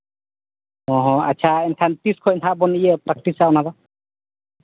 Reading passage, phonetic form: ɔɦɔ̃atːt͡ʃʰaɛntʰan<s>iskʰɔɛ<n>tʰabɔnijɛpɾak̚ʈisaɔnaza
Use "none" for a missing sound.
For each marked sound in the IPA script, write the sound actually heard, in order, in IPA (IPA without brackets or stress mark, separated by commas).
t, n